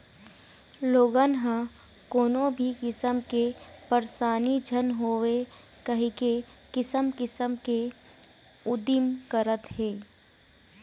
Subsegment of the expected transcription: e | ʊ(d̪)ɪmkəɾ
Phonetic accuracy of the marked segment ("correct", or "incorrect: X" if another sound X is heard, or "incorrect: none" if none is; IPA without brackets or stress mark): correct